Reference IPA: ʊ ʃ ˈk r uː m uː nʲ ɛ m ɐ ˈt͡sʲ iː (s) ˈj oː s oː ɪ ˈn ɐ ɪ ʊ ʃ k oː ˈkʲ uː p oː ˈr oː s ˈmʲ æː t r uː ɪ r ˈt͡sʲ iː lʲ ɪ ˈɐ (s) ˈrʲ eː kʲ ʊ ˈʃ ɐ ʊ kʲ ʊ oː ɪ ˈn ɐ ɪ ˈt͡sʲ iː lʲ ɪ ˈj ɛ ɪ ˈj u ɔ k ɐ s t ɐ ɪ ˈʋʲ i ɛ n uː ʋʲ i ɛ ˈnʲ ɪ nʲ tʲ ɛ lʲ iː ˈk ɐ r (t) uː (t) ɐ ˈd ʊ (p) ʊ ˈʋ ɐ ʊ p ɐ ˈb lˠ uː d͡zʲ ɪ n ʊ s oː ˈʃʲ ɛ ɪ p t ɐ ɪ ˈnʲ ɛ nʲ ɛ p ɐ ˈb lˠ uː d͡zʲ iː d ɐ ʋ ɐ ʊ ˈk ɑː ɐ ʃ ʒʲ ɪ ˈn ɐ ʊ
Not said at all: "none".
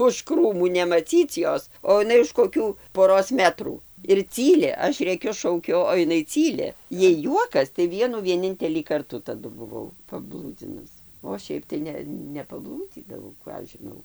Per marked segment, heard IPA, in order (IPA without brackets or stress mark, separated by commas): t͡s, ʃ, t, t, b